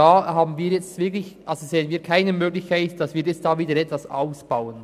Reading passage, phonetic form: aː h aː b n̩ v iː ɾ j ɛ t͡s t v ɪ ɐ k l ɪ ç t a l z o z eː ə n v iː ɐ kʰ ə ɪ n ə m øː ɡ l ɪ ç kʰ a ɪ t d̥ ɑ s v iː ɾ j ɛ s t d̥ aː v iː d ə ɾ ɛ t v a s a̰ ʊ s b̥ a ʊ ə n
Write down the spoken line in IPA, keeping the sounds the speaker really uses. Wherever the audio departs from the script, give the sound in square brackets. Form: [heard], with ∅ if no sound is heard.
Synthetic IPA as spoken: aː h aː b n̩ v iː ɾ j ɛ t͡s t v ɪ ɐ k l ɪ ç [ʔ] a l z o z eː ə n v iː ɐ kʰ [a] ɪ n ə m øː ɡ l ɪ ç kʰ a ɪ t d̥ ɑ s v iː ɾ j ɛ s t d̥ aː v iː d ə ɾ ɛ t v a s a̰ ʊ s b̥ a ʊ ə n